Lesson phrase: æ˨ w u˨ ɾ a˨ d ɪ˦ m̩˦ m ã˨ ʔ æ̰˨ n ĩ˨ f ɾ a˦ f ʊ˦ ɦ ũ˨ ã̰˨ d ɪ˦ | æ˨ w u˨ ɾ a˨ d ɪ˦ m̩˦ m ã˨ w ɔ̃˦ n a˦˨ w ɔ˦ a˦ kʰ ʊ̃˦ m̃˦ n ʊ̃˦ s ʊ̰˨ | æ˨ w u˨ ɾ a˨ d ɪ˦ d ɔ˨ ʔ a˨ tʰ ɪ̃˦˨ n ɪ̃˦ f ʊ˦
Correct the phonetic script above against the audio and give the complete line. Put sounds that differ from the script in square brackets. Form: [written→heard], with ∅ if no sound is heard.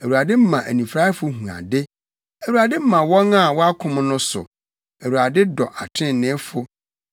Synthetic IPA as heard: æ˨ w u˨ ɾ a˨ d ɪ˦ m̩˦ m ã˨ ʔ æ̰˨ n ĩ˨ f ɾ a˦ f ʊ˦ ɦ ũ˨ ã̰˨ d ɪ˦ | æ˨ w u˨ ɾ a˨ d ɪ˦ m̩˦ m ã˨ w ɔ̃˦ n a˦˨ w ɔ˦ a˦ kʰ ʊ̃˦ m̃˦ n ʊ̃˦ s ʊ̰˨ | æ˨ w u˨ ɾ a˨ d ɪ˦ d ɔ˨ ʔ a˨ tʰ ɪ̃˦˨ n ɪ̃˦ f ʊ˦